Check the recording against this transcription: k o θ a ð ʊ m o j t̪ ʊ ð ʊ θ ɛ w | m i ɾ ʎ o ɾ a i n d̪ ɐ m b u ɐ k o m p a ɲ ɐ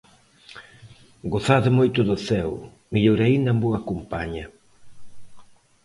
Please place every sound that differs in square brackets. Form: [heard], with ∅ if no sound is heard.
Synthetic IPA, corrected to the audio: [ɡ] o θ a ð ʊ m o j t̪ ʊ ð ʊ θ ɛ w | m i [∅] ʎ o ɾ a i n d̪ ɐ m b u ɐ k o m p a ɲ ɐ